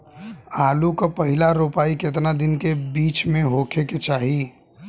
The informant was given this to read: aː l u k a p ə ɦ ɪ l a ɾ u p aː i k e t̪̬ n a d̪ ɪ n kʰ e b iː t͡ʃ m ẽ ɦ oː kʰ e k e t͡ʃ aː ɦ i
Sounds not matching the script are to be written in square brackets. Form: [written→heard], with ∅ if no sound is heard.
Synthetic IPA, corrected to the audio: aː l u k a p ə ɦ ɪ l a ɾ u p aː i k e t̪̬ n a d̪ ɪ n [kʰ→k] e b iː t͡ʃ m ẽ ɦ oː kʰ e k e t͡ʃ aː ɦ i